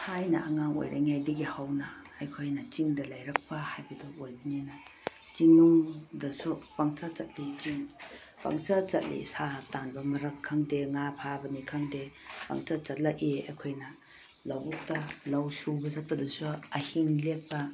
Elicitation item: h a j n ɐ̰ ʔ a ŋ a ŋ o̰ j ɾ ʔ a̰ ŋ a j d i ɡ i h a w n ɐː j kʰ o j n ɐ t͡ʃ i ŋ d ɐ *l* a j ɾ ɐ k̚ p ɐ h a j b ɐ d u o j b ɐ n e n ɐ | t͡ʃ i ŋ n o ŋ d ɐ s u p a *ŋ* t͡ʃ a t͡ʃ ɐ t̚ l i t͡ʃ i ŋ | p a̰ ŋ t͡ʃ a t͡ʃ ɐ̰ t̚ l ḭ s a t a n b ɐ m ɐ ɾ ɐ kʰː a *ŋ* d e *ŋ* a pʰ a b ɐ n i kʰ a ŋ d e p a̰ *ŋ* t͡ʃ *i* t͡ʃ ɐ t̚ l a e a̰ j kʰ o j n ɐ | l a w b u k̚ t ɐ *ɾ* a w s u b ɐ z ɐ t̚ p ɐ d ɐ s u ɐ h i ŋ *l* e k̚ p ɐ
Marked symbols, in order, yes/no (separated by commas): yes, yes, yes, yes, yes, no, no, yes